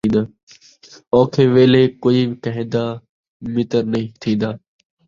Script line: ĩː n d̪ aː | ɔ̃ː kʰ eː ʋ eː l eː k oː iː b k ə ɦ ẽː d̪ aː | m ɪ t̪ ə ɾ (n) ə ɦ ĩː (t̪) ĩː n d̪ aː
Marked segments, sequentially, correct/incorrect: correct, incorrect: t̪ʰ

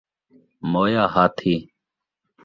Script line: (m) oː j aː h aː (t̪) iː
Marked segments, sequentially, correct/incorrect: correct, incorrect: t̪ʰ

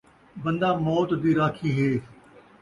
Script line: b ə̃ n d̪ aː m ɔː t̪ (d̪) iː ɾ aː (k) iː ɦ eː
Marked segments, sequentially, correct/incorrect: correct, incorrect: kʰ

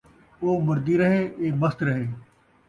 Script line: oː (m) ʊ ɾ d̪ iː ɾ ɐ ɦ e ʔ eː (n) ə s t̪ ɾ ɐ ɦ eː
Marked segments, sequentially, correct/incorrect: correct, incorrect: m

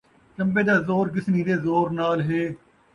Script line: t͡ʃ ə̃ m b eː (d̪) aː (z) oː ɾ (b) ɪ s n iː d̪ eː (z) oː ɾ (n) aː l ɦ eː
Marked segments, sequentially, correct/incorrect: correct, correct, incorrect: ɡ, correct, correct

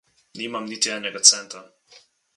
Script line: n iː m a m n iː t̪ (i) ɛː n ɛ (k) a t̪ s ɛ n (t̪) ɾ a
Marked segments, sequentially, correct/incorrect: correct, incorrect: ɡ, correct

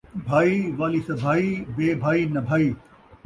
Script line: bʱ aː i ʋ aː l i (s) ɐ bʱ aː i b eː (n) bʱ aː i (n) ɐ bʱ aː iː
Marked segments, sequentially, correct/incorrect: correct, incorrect: none, correct

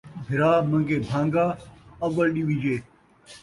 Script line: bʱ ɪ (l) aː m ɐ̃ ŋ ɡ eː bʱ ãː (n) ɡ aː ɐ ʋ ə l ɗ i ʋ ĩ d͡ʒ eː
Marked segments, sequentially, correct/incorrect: incorrect: ɾ, incorrect: ŋ

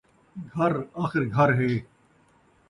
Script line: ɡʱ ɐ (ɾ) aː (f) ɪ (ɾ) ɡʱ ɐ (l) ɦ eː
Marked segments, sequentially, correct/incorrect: correct, incorrect: x, correct, incorrect: ɾ

